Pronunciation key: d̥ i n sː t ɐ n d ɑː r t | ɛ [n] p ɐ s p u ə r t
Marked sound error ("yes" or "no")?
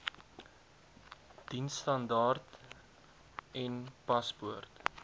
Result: no